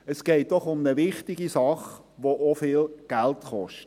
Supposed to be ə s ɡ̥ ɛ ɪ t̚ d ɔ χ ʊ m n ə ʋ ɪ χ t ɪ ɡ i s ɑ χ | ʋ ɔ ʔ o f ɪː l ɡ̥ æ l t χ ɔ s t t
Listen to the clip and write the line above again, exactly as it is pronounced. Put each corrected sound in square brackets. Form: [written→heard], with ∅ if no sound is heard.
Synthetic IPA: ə s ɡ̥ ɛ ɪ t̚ d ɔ χ ʊ m n ə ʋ ɪ χ t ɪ ɡ i s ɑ χ | ʋ [ɔ→o] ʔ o f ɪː l ɡ̥ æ l t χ ɔ [s→ʃ] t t